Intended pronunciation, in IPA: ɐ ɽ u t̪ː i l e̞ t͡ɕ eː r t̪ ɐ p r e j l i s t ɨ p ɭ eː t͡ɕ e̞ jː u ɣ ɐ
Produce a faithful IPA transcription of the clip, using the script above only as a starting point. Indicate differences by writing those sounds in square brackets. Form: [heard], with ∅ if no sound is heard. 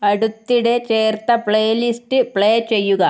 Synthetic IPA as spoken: ɐ ɽ u t̪ː i [ɽ] e̞ t͡ɕ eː r t̪ ɐ p [ɭ] e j l i s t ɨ p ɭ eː t͡ɕ e̞ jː u ɣ ɐ